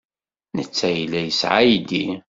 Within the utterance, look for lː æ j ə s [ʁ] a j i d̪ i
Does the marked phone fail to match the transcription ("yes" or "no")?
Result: yes